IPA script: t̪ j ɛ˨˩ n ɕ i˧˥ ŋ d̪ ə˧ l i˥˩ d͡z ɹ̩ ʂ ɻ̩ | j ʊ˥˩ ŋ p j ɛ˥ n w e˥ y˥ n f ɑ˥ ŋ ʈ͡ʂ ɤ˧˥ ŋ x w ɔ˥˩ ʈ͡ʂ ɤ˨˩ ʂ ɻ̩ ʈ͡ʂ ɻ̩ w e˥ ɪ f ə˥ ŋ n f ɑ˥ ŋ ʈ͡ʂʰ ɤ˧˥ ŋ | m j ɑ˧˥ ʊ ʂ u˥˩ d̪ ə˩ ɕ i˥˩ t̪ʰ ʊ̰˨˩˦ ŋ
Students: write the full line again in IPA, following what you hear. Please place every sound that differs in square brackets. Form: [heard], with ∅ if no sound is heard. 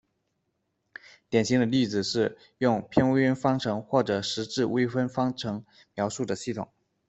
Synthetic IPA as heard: t̪ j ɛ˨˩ n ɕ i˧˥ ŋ d̪ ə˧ l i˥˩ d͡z ɹ̩ ʂ ɻ̩ | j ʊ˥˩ ŋ [pʰ] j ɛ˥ n w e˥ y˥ n f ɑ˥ ŋ [ʈ͡ʂʰ] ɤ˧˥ ŋ x w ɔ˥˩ ʈ͡ʂ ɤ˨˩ ʂ ɻ̩ ʈ͡ʂ ɻ̩ w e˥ ɪ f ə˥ [∅] n f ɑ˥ ŋ ʈ͡ʂʰ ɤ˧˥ ŋ | m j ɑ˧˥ ʊ ʂ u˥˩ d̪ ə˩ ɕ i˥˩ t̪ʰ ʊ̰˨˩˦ ŋ

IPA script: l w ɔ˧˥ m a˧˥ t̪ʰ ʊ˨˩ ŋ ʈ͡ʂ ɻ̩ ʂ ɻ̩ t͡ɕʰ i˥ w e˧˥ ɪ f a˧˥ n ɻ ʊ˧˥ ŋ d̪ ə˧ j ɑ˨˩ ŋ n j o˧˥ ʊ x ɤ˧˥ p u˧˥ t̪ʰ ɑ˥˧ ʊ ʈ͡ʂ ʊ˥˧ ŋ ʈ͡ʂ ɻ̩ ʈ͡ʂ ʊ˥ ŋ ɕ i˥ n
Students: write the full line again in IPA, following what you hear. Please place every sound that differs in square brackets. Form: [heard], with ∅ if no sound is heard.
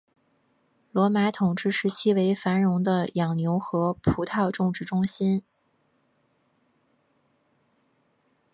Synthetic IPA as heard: l w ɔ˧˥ m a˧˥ t̪ʰ ʊ˨˩ ŋ ʈ͡ʂ ɻ̩ ʂ ɻ̩ t͡ɕʰ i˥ w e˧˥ ɪ f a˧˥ n ɻ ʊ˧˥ ŋ d̪ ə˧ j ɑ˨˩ ŋ n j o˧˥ ʊ x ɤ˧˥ [pʰ] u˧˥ t̪ʰ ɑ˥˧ ʊ ʈ͡ʂ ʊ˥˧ ŋ ʈ͡ʂ ɻ̩ ʈ͡ʂ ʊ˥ ŋ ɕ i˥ n

